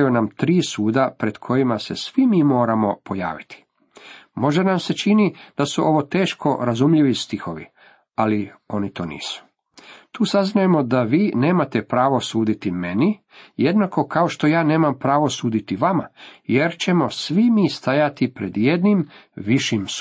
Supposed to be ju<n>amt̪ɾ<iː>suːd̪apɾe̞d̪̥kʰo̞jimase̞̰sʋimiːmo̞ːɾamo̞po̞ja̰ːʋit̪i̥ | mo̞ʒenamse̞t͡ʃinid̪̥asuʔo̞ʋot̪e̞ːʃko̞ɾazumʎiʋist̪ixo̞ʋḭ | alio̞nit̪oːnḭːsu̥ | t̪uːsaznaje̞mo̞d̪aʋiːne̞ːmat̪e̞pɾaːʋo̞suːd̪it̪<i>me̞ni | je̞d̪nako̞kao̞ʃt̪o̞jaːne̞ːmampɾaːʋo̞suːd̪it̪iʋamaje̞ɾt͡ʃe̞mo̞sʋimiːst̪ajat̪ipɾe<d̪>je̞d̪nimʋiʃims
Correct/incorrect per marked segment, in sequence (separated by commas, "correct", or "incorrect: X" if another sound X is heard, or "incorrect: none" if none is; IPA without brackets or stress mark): correct, correct, correct, correct